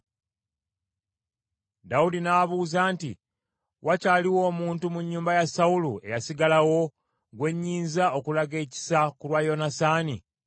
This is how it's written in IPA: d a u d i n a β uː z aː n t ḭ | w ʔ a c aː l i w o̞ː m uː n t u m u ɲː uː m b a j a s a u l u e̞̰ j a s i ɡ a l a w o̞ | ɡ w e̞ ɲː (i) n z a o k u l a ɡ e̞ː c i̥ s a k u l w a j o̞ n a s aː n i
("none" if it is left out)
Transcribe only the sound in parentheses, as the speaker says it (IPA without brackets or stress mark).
iː